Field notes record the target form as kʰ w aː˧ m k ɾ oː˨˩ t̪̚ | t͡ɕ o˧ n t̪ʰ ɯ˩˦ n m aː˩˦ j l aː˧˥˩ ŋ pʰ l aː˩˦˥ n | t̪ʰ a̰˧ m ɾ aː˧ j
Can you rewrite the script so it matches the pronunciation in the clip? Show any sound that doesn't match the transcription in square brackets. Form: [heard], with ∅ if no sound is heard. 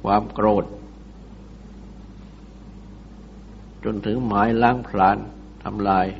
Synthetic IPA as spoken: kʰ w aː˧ m k ɾ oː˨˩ t̪̚ | t͡ɕ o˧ n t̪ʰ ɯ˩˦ [ŋ] m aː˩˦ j l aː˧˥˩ ŋ pʰ l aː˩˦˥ n | t̪ʰ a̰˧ m [l] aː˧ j